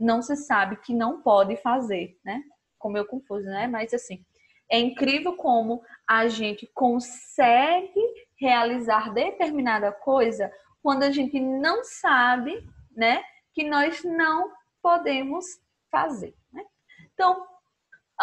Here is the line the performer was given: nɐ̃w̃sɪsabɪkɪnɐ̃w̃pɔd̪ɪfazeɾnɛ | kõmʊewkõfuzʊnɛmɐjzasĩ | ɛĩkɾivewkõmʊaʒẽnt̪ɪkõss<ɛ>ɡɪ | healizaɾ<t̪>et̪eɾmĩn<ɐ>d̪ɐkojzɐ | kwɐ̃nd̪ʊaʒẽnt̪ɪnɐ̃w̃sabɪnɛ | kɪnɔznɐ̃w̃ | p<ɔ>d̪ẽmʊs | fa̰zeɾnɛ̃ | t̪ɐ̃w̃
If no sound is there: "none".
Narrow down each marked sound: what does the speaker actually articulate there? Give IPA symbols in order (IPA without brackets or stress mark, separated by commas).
ɛ, d̪, a, o